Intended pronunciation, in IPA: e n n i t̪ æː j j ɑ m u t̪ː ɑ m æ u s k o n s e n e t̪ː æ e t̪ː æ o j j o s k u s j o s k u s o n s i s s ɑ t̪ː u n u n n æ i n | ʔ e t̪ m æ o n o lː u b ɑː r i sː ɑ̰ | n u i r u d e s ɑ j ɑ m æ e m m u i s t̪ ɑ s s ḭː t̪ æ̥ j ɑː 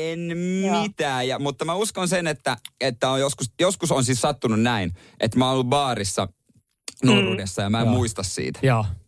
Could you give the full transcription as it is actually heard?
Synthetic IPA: e n m i t̪ æː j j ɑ m u t̪ː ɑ m æ u s k o n s e n e t̪ː æ e t̪ː æ o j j o s k u s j o s k u s o n s i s s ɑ t̪ː u n u n n æ i n | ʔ e t̪ m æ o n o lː u b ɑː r i sː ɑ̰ | n u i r u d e sː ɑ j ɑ m æ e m m u i s t̪ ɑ s s ḭː t̪ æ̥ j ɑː